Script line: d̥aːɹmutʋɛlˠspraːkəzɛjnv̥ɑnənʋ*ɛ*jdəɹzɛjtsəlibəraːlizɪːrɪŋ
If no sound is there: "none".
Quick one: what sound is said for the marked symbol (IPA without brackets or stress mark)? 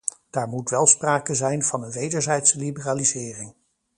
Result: e